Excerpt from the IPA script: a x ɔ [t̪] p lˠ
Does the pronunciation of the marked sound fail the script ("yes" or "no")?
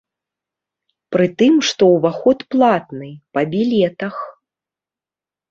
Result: no